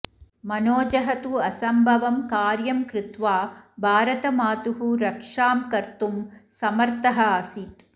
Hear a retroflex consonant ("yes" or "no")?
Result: yes